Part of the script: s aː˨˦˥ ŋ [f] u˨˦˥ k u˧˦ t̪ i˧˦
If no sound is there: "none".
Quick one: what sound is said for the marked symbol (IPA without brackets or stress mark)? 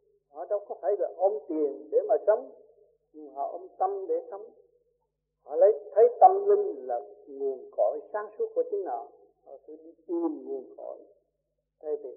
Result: s